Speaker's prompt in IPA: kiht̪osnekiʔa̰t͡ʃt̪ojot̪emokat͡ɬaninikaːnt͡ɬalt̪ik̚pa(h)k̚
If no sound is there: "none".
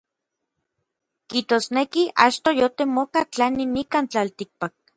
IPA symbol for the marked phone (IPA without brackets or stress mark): none